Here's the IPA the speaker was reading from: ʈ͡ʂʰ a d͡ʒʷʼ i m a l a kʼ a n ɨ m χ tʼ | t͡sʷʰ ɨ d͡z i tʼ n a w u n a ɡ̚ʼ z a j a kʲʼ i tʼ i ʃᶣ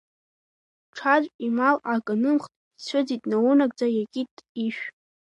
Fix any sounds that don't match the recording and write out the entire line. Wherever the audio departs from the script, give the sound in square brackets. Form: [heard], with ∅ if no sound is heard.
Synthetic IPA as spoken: ʈ͡ʂʰ a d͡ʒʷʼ i m a l a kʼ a n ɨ m χ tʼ | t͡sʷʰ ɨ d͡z i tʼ n a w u n a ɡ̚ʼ [d͡z] a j a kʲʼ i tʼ i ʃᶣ